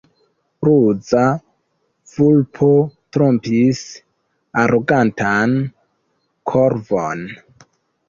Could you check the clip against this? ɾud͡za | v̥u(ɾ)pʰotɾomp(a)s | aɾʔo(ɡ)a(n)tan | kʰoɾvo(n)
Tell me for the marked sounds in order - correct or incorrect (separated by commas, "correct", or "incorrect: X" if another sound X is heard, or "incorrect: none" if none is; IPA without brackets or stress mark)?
incorrect: l, incorrect: i, correct, correct, correct